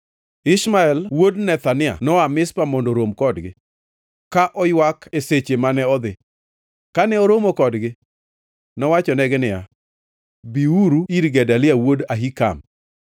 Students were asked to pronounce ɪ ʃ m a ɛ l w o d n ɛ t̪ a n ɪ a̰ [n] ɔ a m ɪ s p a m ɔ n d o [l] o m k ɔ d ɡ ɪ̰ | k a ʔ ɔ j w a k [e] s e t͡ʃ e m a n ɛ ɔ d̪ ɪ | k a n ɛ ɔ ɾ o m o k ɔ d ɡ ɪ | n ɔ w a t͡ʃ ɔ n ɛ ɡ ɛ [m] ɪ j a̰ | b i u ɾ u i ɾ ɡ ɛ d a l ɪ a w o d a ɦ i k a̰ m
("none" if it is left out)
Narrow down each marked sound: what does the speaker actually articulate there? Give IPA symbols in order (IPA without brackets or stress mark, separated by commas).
n, ɾ, e, n